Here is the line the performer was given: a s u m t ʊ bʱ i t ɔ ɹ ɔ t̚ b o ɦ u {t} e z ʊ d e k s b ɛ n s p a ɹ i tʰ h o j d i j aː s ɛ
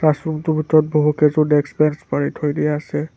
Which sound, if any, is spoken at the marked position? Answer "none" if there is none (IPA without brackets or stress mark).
k